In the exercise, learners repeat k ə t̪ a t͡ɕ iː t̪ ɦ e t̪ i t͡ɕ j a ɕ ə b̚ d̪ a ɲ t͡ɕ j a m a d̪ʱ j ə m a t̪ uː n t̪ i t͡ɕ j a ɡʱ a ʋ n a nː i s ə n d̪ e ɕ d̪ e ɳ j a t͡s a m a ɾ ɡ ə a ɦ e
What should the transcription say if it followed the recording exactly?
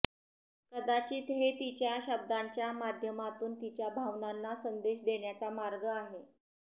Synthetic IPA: k ə d̪ a t͡ɕ iː t̪ ɦ e t̪ i t͡ɕ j a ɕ ə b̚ d̪ a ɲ t͡ɕ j a m a d̪ʱ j ə m a t̪ uː n t̪ i t͡ɕ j a bʱ a ʋ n a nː a s ə n d̪ e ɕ d̪ e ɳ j a t͡s a m a ɾ ɡ ə a ɦ e